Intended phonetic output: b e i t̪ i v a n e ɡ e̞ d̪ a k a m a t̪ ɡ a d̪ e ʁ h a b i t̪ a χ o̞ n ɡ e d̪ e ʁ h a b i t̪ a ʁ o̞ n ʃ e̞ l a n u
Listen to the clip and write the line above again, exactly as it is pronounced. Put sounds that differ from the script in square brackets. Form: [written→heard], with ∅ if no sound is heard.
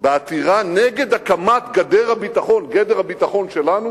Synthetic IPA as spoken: b e [i→a] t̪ i [v→ʁ] a n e ɡ e̞ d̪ a k a m a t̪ ɡ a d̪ e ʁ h a b i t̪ a χ o̞ n ɡ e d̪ e ʁ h a b i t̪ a [ʁ→χ] o̞ n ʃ e̞ l a n u